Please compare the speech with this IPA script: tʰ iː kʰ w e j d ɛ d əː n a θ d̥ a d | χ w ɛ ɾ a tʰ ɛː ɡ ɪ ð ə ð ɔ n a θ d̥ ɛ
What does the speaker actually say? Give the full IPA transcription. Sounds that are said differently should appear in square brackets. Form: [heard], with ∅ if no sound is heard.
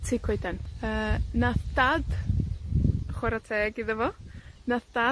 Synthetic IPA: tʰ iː kʰ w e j d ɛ [n] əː n a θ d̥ a d | χ w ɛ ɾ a tʰ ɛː ɡ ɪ ð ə [v] ɔ n a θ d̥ [a]